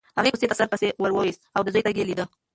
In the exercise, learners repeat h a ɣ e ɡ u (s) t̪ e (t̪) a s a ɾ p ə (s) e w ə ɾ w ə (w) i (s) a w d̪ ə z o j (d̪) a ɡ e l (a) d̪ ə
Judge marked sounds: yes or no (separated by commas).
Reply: yes, yes, yes, yes, yes, no, no